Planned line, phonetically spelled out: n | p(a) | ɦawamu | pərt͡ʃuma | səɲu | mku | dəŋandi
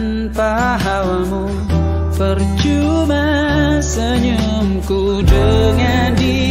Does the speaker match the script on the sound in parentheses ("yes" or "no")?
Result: yes